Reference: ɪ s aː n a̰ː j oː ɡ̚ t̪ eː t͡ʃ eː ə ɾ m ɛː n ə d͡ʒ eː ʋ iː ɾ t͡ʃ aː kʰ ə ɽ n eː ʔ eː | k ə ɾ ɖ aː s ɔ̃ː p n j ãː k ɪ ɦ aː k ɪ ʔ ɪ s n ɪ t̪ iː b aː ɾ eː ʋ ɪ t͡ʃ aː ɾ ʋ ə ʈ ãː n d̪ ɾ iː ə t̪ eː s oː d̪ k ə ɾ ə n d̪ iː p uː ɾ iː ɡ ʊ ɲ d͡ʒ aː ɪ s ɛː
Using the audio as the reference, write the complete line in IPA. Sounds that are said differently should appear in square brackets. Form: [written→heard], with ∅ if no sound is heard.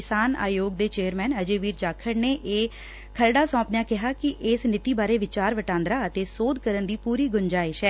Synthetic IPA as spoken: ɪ s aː n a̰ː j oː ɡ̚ [t̪→d̪] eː t͡ʃ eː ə ɾ m ɛː n ə d͡ʒ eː ʋ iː ɾ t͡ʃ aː kʰ ə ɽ n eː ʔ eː | [k→kʰ] ə ɾ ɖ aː s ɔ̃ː p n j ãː k ɪ ɦ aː k ɪ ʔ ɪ s n ɪ t̪ iː b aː ɾ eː ʋ ɪ t͡ʃ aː ɾ ʋ ə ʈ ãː n d̪ ɾ [iː→aː] ə t̪ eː s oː d̪ k ə ɾ ə n d̪ iː p uː ɾ iː ɡ ʊ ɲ d͡ʒ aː ɪ [s→ʃ] ɛː